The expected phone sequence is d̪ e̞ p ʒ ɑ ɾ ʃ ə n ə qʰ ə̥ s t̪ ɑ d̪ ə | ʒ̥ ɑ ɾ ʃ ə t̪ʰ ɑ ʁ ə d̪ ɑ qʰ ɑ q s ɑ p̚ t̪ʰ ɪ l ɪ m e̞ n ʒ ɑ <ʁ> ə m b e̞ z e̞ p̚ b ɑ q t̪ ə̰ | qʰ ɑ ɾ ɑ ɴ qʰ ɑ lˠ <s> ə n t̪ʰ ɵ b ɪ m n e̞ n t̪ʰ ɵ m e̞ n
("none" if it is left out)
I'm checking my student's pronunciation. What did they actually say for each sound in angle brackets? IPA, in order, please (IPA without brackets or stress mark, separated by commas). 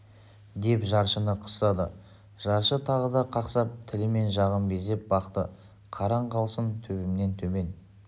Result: ʁ, s